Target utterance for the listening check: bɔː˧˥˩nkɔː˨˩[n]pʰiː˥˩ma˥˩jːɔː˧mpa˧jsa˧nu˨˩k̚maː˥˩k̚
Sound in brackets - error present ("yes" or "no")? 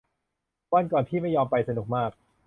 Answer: no